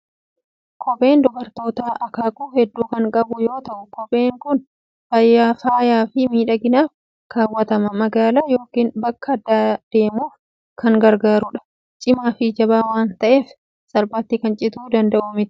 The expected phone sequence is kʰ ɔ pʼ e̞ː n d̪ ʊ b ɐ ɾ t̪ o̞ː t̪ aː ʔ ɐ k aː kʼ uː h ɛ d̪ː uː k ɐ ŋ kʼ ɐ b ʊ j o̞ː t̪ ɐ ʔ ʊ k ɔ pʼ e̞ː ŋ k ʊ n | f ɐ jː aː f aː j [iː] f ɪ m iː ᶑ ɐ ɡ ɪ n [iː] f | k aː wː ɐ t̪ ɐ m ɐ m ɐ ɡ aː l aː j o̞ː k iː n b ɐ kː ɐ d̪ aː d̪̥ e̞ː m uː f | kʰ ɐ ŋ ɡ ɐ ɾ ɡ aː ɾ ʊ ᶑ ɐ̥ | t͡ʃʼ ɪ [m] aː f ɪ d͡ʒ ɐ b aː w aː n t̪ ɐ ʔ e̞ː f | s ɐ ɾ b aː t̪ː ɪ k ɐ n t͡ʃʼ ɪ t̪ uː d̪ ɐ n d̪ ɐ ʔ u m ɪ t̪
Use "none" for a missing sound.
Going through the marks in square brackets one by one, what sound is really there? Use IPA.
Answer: aː, aː, m

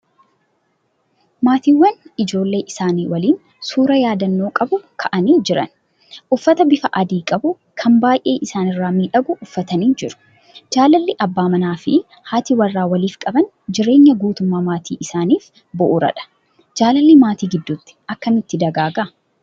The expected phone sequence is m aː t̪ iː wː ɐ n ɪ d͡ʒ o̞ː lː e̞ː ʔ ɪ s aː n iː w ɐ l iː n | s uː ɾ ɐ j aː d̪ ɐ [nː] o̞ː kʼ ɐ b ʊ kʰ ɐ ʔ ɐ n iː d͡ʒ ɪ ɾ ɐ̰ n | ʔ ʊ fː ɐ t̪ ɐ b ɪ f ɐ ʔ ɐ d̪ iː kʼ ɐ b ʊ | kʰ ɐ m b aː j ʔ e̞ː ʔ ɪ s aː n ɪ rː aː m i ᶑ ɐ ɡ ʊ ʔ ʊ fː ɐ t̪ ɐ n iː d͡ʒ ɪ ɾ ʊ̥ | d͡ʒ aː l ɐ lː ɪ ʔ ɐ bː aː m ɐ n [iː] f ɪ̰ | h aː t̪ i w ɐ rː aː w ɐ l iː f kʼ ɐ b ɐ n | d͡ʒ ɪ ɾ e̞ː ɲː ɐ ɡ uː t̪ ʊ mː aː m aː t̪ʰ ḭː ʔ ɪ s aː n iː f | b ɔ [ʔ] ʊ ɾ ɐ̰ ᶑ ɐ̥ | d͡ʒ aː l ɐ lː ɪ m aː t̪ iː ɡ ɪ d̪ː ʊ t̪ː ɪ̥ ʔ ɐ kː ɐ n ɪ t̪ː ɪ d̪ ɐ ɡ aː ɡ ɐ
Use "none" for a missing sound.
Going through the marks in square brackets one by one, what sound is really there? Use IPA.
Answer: nː, aː, ʔ

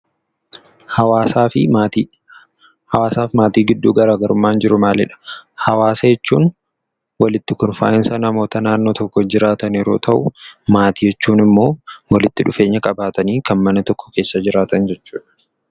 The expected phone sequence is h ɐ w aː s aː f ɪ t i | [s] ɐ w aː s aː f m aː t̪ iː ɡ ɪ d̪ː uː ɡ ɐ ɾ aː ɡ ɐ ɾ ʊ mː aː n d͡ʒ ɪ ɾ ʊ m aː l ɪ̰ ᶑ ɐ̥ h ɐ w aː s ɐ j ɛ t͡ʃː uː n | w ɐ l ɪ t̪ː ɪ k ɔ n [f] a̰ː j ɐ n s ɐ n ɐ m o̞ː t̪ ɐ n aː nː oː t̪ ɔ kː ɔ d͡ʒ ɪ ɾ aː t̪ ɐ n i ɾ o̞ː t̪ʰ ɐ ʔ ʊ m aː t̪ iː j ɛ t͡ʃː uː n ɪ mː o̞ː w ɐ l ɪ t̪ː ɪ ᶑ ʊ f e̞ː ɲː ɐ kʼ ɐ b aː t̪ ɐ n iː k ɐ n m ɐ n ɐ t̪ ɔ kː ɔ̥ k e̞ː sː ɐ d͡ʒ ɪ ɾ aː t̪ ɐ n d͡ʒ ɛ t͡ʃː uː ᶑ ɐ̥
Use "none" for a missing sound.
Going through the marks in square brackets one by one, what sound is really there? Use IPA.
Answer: h, f

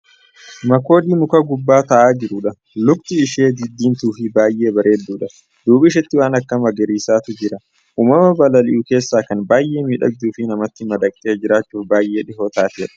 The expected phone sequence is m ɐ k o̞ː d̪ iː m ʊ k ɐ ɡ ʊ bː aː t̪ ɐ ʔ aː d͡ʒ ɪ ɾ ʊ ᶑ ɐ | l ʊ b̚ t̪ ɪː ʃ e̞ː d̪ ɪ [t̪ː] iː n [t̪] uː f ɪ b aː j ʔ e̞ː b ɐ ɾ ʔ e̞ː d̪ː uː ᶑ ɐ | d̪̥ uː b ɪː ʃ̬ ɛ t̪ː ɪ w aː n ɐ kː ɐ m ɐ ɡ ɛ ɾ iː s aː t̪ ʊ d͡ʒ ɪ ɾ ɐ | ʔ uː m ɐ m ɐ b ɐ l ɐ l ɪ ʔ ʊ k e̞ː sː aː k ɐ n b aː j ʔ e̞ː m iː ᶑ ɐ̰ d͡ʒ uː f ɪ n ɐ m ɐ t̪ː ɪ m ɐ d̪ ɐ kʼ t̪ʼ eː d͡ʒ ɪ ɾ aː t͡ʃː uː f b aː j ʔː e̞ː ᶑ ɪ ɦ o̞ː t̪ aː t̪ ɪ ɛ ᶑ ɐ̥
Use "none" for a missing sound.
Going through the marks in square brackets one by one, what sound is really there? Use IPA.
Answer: d̪ː, t̪

